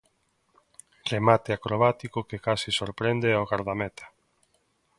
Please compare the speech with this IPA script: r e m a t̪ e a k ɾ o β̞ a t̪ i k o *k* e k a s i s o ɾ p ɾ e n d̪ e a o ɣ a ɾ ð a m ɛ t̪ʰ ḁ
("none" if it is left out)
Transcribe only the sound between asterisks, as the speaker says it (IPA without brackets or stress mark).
k